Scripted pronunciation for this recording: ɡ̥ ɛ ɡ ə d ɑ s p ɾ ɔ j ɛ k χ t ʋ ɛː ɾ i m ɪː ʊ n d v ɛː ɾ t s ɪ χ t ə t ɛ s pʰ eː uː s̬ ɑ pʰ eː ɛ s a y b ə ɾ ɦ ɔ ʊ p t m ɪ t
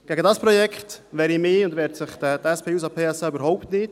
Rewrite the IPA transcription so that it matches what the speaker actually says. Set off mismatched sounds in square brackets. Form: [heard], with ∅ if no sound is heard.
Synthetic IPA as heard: ɡ̥ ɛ ɡ ə d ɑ s p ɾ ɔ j ɛ k χ t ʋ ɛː ɾ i m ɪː ʊ n d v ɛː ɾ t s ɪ χ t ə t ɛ s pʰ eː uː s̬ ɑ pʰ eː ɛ s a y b ə ɾ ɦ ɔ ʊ p t [n] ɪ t